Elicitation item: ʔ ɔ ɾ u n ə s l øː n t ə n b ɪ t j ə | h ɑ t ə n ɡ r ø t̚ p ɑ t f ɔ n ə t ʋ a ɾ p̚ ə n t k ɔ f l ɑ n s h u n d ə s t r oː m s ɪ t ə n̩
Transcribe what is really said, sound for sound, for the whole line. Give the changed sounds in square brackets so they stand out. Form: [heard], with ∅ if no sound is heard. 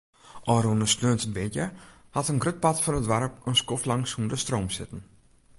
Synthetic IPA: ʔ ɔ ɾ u n ə s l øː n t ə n b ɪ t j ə | h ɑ t ə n ɡ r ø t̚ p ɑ t f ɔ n ə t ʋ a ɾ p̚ ə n [s] k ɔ f l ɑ [ŋ] s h u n d ə s t r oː m s ɪ t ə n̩